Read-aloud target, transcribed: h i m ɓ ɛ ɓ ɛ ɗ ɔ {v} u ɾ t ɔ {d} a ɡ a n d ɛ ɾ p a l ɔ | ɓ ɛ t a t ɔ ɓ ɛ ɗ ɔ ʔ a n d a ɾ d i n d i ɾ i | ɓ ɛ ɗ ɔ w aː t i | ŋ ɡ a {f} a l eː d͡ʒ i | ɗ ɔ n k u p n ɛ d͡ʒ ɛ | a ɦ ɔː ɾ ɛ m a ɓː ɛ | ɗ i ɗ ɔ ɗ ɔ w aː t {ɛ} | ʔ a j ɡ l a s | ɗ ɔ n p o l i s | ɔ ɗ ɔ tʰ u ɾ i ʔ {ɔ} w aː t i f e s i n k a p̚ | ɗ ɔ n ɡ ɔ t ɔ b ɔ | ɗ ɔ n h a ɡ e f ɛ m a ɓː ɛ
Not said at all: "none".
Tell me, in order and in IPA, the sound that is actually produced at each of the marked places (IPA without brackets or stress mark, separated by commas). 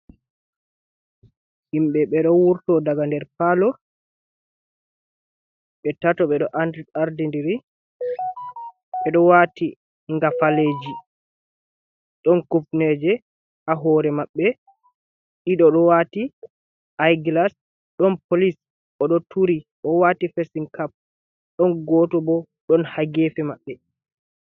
w, d, f, i, ɔ